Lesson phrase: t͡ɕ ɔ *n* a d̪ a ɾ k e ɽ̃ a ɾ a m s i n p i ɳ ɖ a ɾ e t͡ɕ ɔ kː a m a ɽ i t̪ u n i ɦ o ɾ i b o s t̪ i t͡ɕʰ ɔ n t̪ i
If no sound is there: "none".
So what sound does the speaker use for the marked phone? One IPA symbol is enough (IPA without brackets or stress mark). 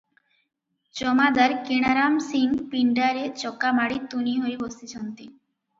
m